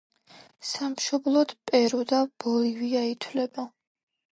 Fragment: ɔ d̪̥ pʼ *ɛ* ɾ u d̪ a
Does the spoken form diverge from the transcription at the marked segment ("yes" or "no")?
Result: no